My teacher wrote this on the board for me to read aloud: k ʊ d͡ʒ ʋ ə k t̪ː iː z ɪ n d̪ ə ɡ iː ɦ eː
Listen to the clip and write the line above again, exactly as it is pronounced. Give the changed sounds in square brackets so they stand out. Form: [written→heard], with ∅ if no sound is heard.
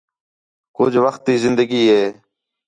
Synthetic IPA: k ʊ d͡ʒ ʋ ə [k→x] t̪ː iː z ɪ n d̪ ə ɡ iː ɦ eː